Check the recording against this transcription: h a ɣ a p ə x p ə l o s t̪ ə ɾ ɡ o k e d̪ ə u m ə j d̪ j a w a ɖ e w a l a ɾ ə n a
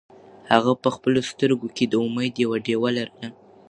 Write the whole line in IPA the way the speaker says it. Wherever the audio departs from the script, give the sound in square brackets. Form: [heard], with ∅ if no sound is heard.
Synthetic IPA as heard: h a ɣ a p ə x p ə l o s t̪ ə ɾ ɡ o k e d̪ ə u m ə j d̪ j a w a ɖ e w a l a ɾ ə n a